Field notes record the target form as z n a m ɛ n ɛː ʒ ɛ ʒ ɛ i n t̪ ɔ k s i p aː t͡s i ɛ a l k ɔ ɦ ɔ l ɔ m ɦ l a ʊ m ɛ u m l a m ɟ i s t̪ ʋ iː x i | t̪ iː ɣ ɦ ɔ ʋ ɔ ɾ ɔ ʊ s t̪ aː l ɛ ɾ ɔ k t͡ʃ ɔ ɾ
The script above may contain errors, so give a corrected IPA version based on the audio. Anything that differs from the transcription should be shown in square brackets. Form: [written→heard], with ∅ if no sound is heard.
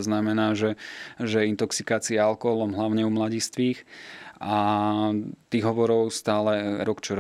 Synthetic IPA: z n a m ɛ n [ɛː→aː] ʒ ɛ ʒ ɛ i n t̪ ɔ k s i [p→k] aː t͡s i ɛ a l k ɔ ɦ ɔ l ɔ m ɦ l a ʊ [m→ɲ] ɛ u m l a [m→∅] ɟ i s t̪ ʋ iː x [i→a] | t̪ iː ɣ ɦ ɔ ʋ ɔ ɾ ɔ ʊ s t̪ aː l ɛ ɾ ɔ k t͡ʃ ɔ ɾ